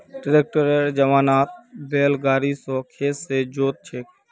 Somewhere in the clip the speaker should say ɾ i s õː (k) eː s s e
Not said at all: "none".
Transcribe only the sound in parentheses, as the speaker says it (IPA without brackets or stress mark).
kʰ